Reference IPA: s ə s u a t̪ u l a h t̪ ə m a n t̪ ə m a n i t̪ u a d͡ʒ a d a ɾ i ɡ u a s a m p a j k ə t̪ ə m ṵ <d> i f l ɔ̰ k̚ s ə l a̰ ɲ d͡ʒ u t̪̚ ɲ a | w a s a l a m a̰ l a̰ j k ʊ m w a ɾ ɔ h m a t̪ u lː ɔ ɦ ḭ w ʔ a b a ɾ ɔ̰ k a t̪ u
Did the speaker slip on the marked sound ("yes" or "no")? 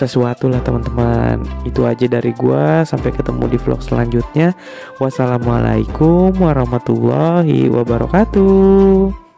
no